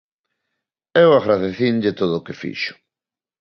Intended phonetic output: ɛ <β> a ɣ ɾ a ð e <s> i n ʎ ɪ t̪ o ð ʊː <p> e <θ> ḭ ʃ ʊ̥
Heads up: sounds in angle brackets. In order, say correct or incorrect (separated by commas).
incorrect, incorrect, incorrect, incorrect